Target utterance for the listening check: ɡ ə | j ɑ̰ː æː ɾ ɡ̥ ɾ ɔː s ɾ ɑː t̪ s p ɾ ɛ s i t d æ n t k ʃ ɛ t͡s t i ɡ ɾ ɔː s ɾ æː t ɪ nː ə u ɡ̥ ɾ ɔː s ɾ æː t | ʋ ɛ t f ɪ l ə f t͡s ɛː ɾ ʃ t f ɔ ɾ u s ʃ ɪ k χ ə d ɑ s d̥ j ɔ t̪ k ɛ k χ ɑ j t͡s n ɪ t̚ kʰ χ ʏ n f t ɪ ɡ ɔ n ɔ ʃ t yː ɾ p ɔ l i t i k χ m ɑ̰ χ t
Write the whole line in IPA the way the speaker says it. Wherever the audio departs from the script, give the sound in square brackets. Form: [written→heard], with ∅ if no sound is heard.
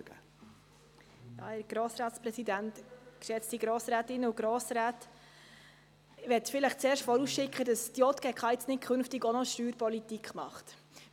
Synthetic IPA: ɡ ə | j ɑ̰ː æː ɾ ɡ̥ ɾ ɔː s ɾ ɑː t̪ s p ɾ ɛ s i [t→∅] d æ n t k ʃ ɛ t͡s t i ɡ ɾ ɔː s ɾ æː t ɪ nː ə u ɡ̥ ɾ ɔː s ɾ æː t | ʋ ɛ t f ɪ l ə [f→χ] t͡s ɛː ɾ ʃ t f ɔ ɾ u s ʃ ɪ k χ ə d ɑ s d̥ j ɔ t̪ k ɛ k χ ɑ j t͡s n ɪ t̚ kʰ χ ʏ n f t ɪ ɡ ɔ n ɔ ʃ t yː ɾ p ɔ l i t i k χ m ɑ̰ χ t